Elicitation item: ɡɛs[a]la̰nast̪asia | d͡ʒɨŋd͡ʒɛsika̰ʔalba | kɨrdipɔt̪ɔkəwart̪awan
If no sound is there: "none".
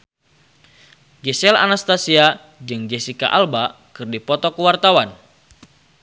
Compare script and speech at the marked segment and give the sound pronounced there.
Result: ɛ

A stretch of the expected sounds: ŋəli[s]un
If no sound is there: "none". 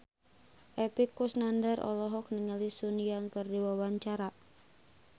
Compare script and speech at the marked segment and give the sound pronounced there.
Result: s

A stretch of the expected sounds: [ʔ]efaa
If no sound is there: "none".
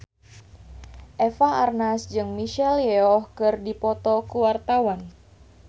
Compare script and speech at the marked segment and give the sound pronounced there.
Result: ʔ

